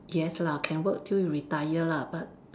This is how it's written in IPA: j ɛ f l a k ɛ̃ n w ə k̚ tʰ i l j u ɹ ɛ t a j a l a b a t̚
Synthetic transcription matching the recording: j ɛ s l a kʰ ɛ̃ n w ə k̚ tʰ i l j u ɹ i t a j ə l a b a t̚